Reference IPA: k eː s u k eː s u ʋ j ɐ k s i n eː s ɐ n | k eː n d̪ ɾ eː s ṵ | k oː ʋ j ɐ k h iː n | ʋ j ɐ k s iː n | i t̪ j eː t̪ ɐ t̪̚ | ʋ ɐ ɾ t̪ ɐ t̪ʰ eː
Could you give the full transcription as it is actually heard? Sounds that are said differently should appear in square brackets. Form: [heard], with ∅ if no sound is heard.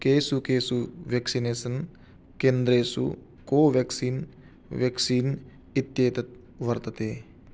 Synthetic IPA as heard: k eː s u k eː s u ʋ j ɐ k s i n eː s ɐ n | k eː n d̪ ɾ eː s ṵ | k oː ʋ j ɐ k [s] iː n | ʋ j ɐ k s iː n | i t̪ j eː t̪ ɐ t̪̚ | ʋ ɐ ɾ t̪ ɐ [t̪] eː